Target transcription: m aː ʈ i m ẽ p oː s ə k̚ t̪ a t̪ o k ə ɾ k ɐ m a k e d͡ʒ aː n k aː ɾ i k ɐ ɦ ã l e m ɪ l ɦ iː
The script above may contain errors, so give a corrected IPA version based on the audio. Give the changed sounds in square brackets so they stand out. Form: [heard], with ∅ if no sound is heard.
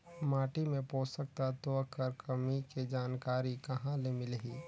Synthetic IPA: m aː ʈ i m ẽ p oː s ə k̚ t̪ a t̪ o k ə ɾ k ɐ m [i] k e d͡ʒ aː n k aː ɾ i k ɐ ɦ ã l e m ɪ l ɦ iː